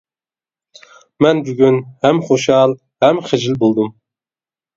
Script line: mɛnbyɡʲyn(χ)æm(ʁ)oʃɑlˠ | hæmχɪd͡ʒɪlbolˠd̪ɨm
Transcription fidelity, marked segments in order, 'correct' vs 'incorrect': incorrect, incorrect

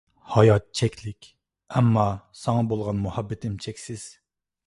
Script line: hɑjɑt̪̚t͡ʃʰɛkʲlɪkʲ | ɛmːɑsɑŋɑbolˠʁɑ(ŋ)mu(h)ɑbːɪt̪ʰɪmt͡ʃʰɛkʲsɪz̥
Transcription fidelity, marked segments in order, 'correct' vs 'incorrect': incorrect, correct

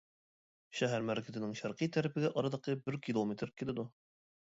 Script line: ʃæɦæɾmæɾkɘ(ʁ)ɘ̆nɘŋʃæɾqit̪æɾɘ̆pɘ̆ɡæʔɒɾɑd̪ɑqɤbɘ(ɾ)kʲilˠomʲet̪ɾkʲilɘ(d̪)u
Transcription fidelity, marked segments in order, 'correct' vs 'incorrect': incorrect, correct, correct

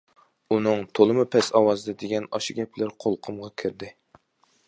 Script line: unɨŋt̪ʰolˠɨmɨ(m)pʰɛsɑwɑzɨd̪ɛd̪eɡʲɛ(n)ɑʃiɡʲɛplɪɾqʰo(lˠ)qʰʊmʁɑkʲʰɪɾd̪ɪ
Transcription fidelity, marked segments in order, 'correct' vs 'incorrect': incorrect, correct, correct

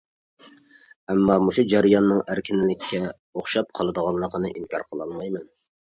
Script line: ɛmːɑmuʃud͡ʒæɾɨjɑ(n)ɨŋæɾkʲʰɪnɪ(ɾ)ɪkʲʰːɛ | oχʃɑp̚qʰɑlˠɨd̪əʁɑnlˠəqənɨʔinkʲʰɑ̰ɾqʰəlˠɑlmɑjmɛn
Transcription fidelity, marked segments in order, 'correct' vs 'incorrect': incorrect, incorrect

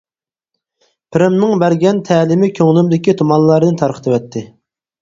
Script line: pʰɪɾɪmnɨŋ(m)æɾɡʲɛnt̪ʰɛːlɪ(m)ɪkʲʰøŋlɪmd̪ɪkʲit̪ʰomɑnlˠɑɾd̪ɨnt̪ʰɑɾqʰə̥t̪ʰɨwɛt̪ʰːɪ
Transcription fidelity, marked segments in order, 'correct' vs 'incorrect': incorrect, correct

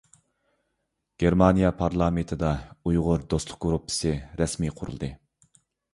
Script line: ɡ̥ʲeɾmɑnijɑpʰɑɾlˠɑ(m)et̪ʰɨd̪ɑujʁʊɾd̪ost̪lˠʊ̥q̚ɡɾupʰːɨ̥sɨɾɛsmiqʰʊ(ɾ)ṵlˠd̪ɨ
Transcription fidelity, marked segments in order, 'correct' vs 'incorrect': correct, correct

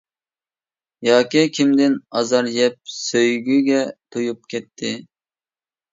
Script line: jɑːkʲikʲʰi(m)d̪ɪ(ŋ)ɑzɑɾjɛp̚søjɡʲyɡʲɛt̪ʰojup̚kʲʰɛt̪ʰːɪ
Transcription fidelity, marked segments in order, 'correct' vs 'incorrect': correct, incorrect

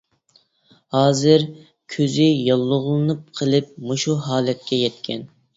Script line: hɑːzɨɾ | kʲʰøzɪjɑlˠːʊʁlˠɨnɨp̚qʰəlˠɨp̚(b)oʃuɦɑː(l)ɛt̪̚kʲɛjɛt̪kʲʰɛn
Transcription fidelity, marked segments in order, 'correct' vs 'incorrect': incorrect, correct

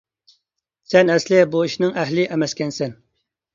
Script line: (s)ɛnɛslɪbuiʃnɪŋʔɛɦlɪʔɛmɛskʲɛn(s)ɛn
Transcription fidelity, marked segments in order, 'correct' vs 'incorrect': correct, correct

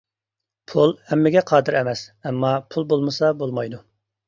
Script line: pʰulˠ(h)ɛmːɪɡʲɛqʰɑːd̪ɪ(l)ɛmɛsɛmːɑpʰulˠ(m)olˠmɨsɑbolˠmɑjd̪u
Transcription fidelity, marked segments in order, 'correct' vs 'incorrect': correct, incorrect, incorrect

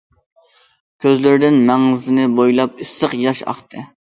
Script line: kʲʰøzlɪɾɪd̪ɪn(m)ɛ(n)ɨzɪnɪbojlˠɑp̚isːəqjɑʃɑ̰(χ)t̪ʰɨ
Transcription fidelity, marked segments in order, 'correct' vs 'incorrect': correct, incorrect, correct

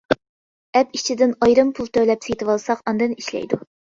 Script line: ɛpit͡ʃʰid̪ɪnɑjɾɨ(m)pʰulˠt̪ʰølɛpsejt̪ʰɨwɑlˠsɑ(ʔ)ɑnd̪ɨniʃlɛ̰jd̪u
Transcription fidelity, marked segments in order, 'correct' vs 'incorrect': correct, incorrect

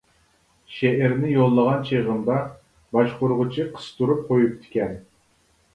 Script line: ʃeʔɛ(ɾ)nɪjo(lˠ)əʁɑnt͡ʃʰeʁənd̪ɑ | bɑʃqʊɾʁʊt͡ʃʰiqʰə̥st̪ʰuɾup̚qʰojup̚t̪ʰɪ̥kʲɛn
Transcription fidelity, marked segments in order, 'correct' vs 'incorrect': correct, incorrect

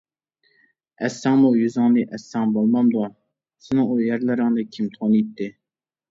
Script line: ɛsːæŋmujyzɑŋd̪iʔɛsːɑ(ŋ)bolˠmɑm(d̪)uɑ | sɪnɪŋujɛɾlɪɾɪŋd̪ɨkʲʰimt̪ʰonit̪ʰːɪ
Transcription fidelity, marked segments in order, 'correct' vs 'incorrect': correct, correct

